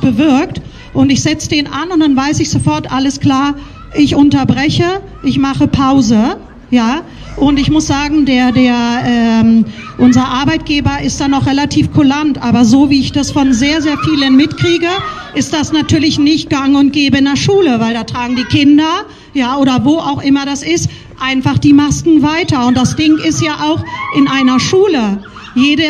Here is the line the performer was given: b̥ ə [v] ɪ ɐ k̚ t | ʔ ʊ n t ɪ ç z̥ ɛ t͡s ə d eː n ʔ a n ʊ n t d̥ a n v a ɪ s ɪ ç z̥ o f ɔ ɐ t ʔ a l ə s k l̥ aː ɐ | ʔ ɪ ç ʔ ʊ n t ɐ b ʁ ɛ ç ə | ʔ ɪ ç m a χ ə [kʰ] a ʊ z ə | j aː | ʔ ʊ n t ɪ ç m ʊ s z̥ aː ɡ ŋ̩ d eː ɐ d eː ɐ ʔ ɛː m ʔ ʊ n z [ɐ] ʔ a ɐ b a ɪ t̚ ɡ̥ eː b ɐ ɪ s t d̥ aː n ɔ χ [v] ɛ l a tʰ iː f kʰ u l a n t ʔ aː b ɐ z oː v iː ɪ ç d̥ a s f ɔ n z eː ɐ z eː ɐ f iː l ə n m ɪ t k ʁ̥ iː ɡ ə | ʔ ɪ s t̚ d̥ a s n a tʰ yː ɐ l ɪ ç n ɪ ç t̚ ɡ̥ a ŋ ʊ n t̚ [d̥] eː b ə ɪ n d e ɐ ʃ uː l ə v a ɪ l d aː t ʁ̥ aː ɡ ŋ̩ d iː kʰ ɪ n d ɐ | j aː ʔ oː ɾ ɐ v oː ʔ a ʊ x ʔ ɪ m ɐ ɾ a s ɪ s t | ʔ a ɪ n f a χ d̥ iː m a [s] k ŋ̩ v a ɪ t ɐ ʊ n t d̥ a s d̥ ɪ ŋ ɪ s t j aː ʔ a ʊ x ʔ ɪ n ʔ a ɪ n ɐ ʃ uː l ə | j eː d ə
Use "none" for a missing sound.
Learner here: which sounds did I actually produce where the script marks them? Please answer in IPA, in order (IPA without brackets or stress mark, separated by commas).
v, pʰ, ɐ, ʁ, ɡ̥, s